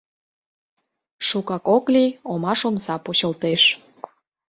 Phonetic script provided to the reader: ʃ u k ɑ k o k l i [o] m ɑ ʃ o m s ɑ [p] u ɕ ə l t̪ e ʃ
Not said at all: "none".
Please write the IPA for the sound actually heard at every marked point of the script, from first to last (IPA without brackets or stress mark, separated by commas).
o, p